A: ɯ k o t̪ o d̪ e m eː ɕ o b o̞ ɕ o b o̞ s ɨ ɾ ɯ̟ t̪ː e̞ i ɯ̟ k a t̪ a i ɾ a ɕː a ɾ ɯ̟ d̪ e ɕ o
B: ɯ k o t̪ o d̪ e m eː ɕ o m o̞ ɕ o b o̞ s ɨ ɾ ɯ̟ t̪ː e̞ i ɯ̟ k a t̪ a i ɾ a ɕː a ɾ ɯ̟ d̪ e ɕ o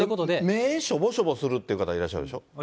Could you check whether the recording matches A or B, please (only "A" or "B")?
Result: A